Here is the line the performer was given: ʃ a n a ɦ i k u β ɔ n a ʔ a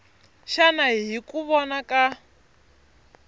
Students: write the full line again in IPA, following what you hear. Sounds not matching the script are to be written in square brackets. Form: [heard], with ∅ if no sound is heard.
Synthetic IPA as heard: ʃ a n a ɦ i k u β ɔ n a [k] a